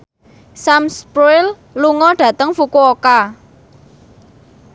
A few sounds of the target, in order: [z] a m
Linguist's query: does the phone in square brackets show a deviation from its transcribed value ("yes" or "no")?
yes